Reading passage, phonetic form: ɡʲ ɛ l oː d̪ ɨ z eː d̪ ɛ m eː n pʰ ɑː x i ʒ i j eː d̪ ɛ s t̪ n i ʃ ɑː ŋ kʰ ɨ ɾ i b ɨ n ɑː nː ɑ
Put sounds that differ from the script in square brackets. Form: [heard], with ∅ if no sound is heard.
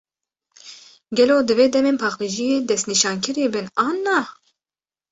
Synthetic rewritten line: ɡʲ ɛ l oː d̪ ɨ [v] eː d̪ ɛ m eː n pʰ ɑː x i ʒ i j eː d̪ ɛ s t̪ n i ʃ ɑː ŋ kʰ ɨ ɾ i b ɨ n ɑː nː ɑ